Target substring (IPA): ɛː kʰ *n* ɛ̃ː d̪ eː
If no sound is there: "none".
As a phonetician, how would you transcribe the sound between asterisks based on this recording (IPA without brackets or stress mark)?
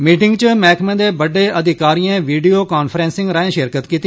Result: m